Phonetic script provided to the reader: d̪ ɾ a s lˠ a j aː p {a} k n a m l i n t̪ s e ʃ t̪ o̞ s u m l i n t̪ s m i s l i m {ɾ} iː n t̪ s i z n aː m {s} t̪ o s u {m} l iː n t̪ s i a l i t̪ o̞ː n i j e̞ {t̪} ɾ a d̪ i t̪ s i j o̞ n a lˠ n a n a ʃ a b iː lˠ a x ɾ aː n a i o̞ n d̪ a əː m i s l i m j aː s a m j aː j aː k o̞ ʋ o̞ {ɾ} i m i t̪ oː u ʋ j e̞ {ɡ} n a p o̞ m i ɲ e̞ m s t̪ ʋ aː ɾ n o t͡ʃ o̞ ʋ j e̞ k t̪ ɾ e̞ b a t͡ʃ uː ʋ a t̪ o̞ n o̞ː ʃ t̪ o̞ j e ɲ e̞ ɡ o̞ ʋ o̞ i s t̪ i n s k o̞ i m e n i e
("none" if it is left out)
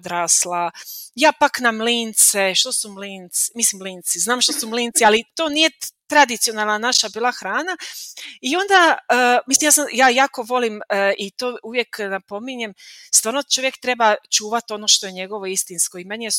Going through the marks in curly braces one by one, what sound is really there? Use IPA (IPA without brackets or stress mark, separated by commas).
a, l, ʃ, m, t̪, l, k